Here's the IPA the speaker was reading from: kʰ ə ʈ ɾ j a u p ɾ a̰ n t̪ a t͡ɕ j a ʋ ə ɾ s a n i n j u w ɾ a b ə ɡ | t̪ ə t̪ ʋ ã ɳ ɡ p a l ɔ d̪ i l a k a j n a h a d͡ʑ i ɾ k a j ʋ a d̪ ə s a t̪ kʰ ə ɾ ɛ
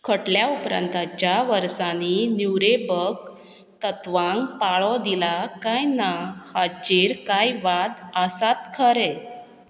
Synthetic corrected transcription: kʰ ə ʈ l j a u p ɾ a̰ n t̪ a t͡ɕ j a ʋ ə ɾ s a n i n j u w ɾ e b ə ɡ | t̪ ə t̪ ʋ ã ŋ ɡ p a ɭ ɔ d̪ i l a k a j n a h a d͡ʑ i ɾ k a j ʋ a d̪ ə s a t̪ kʰ ə ɾ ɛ